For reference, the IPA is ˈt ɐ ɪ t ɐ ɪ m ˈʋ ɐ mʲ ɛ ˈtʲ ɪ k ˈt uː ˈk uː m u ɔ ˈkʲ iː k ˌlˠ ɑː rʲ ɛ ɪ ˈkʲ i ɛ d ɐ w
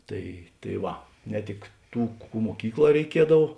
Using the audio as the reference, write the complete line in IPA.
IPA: ˈt ɐ ɪ t ɐ ɪ ˈʋ ɐ nʲ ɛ ˈtʲ ɪ k ˈt uː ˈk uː m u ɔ ˈkʲ iː k ˌlˠ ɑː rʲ ɛ ɪ ˈkʲ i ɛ d ɐ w